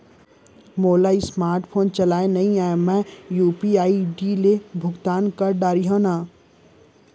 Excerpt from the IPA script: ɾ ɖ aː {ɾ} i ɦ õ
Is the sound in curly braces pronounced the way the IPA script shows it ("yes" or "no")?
yes